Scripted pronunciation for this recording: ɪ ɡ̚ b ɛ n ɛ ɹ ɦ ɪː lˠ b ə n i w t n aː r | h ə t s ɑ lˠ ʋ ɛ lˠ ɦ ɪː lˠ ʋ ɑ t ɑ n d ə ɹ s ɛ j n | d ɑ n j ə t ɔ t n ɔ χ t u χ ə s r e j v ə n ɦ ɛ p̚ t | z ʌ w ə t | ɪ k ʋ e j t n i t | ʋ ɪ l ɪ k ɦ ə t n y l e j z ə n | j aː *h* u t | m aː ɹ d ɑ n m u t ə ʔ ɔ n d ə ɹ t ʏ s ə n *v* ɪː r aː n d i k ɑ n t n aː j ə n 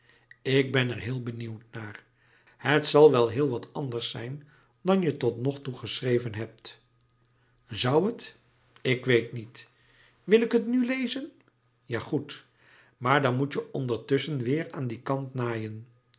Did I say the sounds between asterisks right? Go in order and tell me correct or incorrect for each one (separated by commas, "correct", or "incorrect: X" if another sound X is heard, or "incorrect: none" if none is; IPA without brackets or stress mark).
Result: incorrect: χ, incorrect: ʋ